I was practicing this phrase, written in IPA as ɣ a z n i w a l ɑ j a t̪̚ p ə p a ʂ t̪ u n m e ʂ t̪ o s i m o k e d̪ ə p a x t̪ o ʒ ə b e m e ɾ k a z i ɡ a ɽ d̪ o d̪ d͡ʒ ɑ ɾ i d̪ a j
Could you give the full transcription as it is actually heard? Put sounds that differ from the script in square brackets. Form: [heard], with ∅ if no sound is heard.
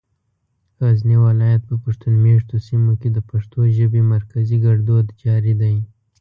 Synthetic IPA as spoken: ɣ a z n i w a l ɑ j a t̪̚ p ə p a ʂ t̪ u n m e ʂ t̪ o s i m o k e d̪ ə p a [ʂ] t̪ o ʒ ə b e m [a] ɾ k a z i ɡ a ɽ d̪ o d̪ d͡ʒ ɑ ɾ i d̪ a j

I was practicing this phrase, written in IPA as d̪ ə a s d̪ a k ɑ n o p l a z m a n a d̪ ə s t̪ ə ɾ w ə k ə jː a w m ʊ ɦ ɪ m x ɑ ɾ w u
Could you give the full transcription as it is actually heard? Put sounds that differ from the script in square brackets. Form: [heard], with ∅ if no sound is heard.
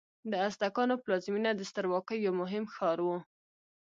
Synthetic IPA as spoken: d̪ ə a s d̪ a k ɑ n o p l [ɑ] z m [i] n a d̪ ə s t̪ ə ɾ w [ɑ] k ə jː a w m ʊ ɦ ɪ m x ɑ ɾ w u

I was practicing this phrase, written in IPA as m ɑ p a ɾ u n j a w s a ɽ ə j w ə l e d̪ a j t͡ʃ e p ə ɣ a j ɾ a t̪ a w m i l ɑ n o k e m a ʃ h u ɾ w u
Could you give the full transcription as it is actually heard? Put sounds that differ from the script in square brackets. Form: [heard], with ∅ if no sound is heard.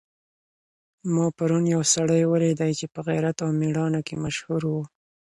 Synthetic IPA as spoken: m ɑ p a ɾ u n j a w s a ɽ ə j w ə l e d̪ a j t͡ʃ e p ə ɣ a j ɾ a t̪ a w m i [ɽ] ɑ n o k e m a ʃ h u ɾ w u

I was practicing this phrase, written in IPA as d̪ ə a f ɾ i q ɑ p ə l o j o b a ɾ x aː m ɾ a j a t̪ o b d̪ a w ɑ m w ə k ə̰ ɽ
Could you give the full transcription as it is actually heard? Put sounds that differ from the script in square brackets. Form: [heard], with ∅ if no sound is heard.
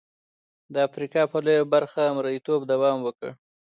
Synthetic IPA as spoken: d̪ ə a f ɾ i [k] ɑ p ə l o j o b a ɾ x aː m ɾ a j [i] t̪ o b d̪ a w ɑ m w ə k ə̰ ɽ

